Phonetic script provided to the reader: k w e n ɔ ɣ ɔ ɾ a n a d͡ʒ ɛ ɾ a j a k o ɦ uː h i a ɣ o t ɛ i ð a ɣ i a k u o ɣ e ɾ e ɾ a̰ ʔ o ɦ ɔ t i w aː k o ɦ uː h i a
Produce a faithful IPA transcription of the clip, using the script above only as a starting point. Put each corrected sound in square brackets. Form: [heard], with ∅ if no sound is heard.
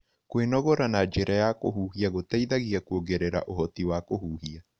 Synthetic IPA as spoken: k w e n ɔ ɣ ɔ ɾ a n a d͡ʒ [e] ɾ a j a k o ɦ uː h i a ɣ o t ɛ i ð a ɣ i a k u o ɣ e ɾ e ɾ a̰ ʔ o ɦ ɔ t i w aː k o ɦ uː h i a